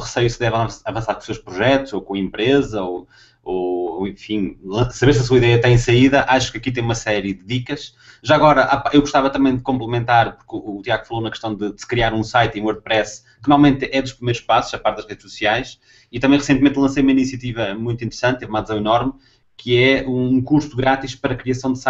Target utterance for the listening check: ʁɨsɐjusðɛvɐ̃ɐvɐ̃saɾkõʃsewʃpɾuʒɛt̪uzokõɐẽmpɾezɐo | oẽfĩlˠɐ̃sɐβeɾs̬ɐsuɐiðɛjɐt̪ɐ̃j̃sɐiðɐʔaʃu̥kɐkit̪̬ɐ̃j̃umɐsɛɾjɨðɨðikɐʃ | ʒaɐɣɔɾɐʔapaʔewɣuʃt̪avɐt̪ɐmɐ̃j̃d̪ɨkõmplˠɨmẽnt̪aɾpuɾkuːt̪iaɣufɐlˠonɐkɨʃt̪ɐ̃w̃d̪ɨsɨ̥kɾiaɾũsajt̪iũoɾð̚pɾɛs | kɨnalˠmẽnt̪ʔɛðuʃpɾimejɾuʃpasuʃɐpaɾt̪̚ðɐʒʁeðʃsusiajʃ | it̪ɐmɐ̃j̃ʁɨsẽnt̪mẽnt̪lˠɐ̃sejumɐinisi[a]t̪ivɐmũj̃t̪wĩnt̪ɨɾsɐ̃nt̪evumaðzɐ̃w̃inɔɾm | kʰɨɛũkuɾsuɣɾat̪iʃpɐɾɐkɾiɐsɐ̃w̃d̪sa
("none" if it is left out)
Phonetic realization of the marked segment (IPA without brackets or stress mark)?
ɐ